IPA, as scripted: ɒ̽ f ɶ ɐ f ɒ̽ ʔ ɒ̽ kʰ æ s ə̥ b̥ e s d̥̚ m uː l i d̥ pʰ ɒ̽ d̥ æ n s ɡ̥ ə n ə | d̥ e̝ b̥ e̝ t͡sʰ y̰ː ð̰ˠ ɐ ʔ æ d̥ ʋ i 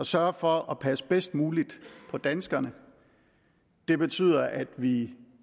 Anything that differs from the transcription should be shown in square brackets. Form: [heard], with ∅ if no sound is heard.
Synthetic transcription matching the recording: ɒ̽ [s] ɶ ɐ f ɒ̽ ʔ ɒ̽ [pʰ] æ s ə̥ b̥ e s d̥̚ m uː l i d̥ pʰ ɒ̽ d̥ æ n s ɡ̥ [ɐ] n ə | d̥ e̝ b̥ e̝ t͡sʰ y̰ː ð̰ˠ ɐ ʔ æ d̥ ʋ i